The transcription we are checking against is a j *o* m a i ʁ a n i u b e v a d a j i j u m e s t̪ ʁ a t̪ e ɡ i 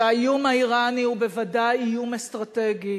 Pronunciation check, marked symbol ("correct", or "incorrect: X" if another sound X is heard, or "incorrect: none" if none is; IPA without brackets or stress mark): incorrect: u